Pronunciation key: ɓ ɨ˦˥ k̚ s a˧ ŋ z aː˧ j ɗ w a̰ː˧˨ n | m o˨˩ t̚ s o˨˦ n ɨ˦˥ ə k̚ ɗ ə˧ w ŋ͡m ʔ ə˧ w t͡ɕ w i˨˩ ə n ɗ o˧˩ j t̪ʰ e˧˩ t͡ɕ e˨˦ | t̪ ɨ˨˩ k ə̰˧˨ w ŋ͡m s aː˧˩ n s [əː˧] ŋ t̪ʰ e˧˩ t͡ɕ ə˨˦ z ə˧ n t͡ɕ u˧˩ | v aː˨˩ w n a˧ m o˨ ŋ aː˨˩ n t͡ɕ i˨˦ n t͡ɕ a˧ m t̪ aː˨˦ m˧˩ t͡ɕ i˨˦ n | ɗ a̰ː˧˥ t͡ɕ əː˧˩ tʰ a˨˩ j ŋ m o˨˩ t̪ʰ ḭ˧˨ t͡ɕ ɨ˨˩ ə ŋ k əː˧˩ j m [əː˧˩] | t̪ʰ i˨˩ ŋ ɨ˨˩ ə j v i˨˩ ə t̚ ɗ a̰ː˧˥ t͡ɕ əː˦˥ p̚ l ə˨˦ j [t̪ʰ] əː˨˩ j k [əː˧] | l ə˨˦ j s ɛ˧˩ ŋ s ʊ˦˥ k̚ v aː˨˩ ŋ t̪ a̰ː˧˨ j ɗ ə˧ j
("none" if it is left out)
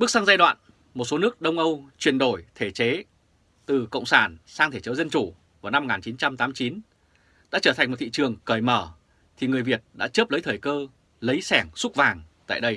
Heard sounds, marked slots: aː˧, əː˧˩, t̪ʰ, əː˧

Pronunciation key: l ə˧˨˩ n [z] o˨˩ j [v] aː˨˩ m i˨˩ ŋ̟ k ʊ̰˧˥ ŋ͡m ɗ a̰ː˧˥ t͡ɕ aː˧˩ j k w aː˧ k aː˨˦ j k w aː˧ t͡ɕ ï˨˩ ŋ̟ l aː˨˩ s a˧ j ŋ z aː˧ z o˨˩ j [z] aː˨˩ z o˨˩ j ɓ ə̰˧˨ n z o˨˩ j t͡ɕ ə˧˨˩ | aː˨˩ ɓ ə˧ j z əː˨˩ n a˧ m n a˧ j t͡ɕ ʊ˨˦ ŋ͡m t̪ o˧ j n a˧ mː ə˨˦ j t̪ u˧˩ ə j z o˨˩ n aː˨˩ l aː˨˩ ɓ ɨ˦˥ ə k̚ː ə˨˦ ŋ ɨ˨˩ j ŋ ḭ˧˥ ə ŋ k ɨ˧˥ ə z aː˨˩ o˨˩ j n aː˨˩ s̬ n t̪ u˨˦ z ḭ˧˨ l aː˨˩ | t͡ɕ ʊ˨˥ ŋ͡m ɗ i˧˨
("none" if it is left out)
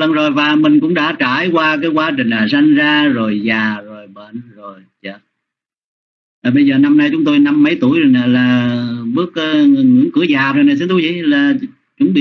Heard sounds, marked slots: z, v, z

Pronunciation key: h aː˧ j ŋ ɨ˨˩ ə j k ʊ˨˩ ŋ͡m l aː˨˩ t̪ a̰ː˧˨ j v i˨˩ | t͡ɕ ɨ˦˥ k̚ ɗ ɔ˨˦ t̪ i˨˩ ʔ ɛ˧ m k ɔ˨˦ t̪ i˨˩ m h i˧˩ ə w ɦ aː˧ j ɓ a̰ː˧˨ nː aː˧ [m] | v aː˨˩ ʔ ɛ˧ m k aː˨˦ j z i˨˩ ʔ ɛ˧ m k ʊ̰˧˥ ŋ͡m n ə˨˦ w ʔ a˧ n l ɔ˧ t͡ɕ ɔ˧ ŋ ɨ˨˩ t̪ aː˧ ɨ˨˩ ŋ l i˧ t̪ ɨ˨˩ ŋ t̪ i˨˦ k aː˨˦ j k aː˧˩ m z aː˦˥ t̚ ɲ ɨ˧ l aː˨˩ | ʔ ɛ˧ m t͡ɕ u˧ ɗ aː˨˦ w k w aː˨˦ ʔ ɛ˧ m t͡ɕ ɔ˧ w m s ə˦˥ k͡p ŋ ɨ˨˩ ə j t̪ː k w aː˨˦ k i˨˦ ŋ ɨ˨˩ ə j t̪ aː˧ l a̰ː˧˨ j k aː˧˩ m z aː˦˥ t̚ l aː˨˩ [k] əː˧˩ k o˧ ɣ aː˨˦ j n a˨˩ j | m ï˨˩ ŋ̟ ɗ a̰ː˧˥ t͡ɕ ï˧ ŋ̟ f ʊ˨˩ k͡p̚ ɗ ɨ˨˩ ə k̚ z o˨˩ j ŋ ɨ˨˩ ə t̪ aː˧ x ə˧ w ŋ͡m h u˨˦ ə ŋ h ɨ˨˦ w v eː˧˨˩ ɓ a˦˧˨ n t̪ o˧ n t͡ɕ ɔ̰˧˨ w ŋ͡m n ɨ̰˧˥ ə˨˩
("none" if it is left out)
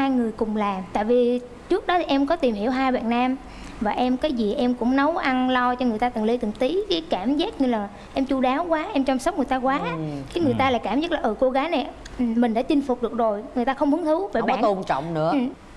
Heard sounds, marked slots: m, ʔ

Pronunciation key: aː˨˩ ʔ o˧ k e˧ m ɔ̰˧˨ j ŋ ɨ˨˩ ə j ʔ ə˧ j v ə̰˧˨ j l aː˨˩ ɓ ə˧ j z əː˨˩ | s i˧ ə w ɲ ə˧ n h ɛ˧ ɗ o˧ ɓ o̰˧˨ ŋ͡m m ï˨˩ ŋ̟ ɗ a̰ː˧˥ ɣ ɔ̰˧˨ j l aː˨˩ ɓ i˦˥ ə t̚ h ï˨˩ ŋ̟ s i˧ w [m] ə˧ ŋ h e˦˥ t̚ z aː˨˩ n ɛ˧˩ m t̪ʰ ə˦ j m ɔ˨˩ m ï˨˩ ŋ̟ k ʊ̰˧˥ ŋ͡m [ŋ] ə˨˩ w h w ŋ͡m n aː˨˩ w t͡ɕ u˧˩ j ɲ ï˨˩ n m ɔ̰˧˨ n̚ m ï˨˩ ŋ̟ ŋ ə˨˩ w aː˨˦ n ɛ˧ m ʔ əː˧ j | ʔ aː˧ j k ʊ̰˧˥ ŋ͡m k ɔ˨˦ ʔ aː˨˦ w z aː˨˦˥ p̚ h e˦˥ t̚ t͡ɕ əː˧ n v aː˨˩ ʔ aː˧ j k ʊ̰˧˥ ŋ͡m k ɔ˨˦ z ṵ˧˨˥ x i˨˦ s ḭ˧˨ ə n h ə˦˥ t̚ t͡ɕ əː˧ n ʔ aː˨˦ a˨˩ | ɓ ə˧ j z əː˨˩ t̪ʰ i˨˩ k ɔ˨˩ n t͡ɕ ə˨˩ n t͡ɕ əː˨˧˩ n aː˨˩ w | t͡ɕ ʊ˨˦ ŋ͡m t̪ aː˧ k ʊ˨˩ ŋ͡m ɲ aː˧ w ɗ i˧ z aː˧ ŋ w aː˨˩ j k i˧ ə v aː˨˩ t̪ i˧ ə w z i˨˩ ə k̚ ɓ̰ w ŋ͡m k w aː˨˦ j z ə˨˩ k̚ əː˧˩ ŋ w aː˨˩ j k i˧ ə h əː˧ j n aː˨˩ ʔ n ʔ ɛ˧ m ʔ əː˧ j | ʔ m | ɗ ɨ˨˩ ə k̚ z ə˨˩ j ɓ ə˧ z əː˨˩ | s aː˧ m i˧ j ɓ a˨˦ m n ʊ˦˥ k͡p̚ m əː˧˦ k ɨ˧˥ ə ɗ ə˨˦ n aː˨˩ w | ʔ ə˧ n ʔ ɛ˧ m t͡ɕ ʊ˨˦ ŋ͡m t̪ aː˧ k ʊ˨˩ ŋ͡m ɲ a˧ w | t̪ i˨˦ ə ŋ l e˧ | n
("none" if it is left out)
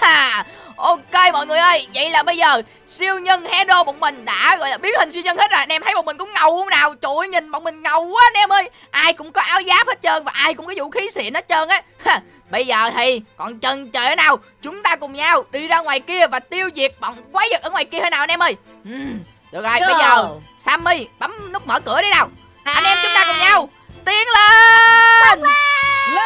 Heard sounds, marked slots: ɲ, ŋ

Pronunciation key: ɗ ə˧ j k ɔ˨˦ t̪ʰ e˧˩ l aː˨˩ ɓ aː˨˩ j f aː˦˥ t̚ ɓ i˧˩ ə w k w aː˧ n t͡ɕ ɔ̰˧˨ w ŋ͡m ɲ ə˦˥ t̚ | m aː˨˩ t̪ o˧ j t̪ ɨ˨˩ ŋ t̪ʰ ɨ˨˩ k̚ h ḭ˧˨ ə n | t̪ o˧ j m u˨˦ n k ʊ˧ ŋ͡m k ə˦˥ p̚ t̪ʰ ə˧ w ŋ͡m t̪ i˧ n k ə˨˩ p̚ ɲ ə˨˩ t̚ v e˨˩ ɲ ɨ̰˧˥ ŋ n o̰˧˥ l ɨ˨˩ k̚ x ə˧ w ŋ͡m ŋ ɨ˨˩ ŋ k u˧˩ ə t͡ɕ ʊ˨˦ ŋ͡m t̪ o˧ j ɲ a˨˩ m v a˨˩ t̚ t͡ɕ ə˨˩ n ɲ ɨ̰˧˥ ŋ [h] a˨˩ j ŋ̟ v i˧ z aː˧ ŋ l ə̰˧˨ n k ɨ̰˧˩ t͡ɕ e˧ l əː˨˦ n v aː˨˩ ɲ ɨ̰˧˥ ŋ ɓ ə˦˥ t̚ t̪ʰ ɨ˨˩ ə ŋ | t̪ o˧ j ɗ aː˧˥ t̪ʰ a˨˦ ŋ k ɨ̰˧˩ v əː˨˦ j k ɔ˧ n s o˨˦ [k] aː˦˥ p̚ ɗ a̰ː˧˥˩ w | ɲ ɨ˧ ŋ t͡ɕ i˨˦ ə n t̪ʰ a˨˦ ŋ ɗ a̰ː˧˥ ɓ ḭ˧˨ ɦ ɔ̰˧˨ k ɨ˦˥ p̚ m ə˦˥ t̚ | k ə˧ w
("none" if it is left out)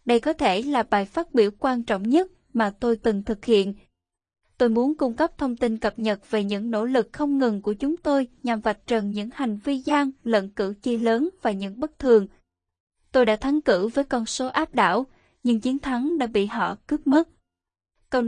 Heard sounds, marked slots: h, ʔ

